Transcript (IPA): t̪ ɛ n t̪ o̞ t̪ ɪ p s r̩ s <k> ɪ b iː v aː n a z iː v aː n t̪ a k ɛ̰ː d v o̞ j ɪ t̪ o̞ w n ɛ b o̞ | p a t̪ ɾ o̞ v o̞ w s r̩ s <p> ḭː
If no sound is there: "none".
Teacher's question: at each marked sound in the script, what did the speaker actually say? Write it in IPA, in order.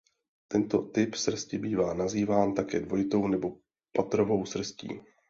c, c

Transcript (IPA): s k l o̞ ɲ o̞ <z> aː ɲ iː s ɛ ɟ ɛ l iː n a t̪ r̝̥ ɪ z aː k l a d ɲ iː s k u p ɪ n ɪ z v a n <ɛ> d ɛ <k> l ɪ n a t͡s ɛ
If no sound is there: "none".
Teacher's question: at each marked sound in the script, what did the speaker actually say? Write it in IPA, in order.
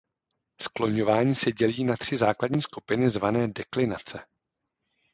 v, ɛː, k

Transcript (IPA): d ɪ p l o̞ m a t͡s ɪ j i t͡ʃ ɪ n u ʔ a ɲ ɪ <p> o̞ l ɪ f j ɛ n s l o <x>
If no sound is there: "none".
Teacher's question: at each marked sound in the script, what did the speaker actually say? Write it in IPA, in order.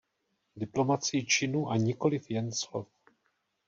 k, f

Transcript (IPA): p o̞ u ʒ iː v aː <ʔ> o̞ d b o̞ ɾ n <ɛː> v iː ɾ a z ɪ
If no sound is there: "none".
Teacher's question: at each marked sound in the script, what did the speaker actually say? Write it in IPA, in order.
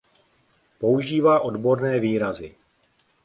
ʔ, ɛː

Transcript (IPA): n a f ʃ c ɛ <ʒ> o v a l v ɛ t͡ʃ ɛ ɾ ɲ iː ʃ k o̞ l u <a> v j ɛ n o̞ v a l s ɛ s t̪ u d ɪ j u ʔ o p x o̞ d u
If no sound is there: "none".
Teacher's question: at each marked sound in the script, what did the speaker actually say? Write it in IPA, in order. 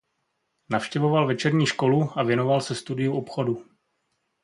v, a

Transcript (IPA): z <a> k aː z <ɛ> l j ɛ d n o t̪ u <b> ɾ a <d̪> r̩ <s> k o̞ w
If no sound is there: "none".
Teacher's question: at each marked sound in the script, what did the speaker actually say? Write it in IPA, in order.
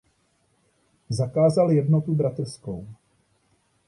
a, a, b, t̪, s

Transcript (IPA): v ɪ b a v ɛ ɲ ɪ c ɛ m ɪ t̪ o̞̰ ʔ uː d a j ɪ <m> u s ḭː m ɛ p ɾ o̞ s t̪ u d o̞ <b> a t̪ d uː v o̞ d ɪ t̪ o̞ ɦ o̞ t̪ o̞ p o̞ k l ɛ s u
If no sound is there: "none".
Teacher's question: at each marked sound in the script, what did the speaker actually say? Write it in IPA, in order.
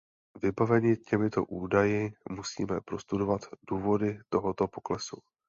m, v

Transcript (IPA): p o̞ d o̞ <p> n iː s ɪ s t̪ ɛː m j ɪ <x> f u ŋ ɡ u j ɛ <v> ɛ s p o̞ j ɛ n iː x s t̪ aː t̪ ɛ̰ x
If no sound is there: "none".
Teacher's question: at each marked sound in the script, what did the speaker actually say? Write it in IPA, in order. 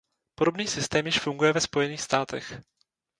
b, ʃ, v

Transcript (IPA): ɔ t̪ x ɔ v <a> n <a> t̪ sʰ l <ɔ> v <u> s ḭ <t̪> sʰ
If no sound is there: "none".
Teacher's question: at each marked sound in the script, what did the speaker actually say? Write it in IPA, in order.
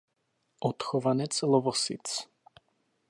a, ɛ, ɔ, ɔ, t̪

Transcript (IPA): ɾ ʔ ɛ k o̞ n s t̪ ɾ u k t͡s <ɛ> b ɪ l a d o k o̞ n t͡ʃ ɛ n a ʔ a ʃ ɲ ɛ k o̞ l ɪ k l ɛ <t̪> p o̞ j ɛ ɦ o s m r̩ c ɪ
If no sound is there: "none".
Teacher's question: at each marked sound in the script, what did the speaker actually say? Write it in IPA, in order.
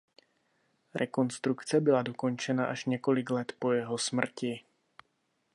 ɛ, t̪

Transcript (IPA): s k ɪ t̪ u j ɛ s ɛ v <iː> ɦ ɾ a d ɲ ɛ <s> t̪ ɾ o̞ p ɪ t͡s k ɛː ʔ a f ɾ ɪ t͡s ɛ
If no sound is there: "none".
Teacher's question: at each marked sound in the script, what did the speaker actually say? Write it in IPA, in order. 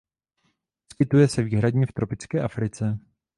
iː, f

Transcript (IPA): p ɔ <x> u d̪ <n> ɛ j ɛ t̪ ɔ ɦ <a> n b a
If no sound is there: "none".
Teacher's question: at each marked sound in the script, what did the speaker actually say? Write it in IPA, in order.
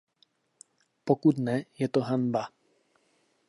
k, n, a

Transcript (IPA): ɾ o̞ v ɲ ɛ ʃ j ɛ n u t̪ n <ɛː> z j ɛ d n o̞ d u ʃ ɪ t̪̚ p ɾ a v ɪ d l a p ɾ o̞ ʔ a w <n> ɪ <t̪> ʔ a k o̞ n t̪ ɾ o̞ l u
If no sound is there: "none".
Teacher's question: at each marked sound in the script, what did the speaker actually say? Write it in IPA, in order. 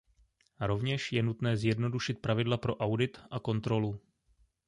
ɛː, d, t̪

